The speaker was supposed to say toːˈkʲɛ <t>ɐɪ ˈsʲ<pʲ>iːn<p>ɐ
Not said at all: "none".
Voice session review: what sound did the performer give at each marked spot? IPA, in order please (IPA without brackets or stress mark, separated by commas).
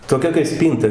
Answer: k, pʲ, t